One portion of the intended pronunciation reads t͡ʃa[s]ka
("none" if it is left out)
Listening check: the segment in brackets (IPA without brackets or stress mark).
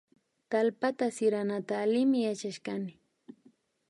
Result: ʃ